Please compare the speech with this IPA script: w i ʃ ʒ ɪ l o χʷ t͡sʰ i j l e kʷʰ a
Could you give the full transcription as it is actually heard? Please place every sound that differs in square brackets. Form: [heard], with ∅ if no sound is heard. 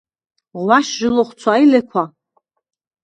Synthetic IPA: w [a] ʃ ʒ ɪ l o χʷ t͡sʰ [a] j l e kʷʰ a